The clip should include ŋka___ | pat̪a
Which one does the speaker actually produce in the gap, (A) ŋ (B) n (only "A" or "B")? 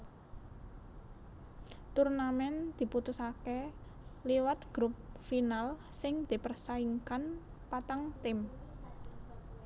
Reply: B